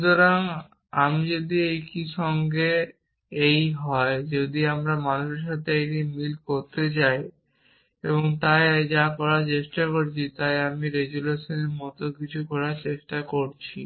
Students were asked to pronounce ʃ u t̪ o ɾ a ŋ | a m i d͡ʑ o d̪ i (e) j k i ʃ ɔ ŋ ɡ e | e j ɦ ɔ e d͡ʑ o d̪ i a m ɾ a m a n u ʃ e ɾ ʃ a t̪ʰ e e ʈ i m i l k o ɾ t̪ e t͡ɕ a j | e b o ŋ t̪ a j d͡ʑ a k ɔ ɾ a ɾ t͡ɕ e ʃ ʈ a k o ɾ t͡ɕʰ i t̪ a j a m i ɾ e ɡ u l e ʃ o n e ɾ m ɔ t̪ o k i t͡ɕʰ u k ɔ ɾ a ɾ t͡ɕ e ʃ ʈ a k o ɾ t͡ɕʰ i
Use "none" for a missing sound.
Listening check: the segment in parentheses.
e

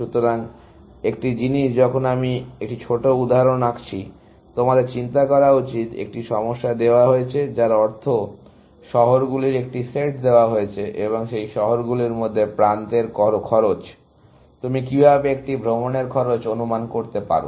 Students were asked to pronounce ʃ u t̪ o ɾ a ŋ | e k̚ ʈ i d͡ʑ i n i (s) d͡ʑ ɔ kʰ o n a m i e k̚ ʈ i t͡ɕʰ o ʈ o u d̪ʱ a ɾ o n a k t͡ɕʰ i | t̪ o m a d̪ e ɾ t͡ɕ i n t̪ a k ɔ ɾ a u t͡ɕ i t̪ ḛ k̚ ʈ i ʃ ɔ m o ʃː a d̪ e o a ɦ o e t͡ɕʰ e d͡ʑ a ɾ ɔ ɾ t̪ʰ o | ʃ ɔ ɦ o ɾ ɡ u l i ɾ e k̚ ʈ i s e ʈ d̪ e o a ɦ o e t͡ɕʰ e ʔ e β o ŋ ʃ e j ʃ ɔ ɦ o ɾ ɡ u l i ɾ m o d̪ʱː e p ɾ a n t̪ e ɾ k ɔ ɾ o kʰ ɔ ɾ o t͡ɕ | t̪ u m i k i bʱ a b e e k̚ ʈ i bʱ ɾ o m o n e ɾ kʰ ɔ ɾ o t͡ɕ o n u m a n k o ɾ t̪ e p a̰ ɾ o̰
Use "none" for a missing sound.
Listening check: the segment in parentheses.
ʃ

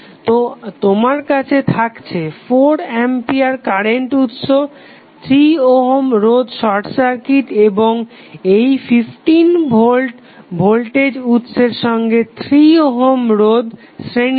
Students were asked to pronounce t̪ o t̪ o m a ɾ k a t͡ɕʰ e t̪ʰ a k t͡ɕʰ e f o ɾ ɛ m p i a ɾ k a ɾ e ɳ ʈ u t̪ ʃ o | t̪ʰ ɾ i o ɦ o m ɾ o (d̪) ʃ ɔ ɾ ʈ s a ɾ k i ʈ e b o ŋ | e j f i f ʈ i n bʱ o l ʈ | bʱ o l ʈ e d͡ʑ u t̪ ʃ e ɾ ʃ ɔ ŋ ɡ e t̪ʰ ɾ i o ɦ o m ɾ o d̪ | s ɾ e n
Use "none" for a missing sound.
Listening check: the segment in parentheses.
d̪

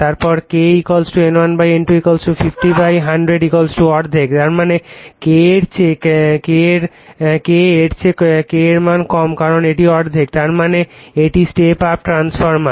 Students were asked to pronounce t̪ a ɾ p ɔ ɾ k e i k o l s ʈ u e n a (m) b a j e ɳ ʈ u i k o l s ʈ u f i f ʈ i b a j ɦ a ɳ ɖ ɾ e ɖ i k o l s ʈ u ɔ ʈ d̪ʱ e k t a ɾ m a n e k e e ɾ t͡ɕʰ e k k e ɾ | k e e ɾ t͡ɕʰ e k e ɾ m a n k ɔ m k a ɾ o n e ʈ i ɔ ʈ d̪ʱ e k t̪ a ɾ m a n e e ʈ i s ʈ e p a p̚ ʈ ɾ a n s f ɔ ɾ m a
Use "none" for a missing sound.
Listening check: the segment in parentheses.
n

